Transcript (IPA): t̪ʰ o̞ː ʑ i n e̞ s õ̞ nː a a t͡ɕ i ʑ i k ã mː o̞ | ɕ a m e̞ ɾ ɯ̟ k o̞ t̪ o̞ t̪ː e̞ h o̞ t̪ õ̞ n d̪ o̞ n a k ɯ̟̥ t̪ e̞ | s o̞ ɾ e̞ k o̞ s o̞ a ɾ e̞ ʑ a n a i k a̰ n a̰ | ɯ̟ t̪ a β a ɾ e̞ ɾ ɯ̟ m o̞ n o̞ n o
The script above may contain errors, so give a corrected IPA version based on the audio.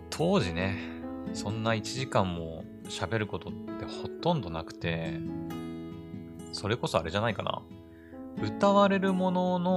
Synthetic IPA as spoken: t̪ʰ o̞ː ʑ i n e̞ s õ̞ nː a i t͡ɕ i ʑ i k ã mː o̞ | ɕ a b e̞ ɾ ɯ̟ k o̞ t̪ o̞ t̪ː e̞ h o̞ t̪ õ̞ n d̪ o̞ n a k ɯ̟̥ t̪ e̞ | s o̞ ɾ e̞ k o̞ s o̞ a ɾ e̞ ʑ a n a i k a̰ n a̰ | ɯ̟ t̪ a β a ɾ e̞ ɾ ɯ̟ m o̞ n o̞ n o